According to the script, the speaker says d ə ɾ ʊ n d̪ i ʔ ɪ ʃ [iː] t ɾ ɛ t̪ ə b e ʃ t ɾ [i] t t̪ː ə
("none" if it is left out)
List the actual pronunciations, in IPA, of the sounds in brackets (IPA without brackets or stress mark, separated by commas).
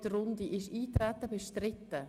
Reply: iː, ɪ